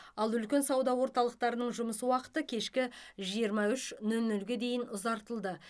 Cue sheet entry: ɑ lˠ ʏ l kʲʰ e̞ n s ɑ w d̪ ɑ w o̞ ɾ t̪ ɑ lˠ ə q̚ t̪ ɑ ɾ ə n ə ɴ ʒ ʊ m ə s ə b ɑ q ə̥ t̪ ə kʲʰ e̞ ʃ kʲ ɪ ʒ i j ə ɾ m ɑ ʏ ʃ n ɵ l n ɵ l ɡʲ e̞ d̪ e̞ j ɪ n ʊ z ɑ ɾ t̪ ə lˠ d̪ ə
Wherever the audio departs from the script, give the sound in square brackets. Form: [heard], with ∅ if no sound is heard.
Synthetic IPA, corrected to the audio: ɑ lˠ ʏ l [kʲ] e̞ n s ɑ w d̪ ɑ w o̞ ɾ t̪ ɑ lˠ ə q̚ t̪ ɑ ɾ ə n ə ɴ ʒ ʊ m ə s ə [w] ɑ q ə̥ t̪ ə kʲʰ e̞ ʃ kʲ ɪ ʒ i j ə ɾ m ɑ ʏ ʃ n ɵ l n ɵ l ɡʲ e̞ d̪ e̞ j ɪ n ʊ z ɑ ɾ t̪ ə lˠ d̪ ə